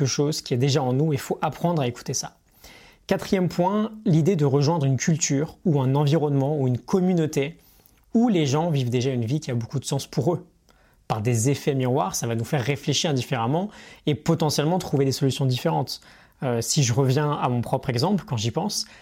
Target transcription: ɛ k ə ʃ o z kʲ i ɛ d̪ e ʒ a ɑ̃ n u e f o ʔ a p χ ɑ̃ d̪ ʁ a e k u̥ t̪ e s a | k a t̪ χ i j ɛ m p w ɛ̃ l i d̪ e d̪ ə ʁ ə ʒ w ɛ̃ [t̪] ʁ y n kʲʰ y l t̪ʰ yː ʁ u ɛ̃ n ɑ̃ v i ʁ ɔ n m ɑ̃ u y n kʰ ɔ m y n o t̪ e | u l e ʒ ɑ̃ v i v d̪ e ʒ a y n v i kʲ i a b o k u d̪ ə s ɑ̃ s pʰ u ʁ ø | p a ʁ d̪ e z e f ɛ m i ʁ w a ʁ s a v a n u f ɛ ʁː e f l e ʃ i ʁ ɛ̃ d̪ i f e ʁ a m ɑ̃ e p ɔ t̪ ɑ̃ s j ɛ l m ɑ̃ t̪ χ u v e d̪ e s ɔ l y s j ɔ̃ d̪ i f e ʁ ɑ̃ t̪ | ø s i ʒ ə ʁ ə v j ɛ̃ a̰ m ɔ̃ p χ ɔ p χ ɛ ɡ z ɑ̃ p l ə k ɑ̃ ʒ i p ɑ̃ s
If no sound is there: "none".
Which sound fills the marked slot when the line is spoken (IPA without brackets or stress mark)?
d̪